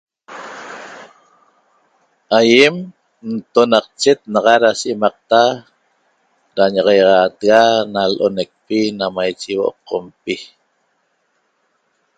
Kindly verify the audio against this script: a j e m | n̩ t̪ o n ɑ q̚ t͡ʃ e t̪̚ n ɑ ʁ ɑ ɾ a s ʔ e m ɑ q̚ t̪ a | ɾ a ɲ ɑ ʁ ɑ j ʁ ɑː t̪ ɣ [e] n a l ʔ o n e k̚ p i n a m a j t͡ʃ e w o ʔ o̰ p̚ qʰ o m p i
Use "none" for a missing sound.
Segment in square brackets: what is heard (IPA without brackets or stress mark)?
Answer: a